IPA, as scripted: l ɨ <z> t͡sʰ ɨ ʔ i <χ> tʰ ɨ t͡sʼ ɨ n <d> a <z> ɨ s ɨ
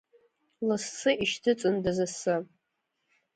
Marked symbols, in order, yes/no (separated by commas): no, no, yes, yes